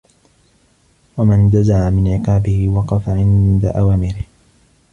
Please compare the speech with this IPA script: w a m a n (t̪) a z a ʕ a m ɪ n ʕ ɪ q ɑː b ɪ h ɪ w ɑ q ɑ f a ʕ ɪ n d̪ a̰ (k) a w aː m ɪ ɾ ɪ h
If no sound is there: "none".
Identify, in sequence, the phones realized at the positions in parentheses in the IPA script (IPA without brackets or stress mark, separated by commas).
d̪, ʔ